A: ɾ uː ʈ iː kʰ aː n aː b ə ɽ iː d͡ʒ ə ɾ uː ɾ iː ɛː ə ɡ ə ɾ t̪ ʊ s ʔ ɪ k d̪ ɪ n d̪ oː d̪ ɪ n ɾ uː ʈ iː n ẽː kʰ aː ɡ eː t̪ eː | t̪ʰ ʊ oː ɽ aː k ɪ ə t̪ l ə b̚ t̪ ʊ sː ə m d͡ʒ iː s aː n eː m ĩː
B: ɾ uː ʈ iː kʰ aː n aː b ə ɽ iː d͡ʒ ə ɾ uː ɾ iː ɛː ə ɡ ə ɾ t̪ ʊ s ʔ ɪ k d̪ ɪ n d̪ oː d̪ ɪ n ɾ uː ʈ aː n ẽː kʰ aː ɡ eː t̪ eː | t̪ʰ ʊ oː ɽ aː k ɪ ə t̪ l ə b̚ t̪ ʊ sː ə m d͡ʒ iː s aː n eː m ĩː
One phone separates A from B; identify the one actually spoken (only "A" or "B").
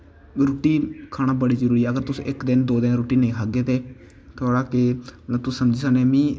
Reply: A